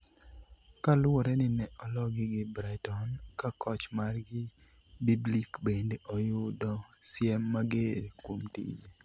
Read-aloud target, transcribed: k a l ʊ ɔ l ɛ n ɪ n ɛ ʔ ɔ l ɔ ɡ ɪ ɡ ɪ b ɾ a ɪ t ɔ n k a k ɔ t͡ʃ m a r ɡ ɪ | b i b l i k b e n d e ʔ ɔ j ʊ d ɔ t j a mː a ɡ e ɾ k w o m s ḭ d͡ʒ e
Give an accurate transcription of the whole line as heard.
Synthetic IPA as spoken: k a l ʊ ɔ ɾ ɛ n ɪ n ɛ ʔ ɔ l ɔ ɡ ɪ ɡ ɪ b ɾ a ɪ t ɔ n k a k ɔ t͡ʃ m a r ɡ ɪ | b i b l i k b e n d e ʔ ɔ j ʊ d ɔ s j ɛ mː a ɡ e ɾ k w o m t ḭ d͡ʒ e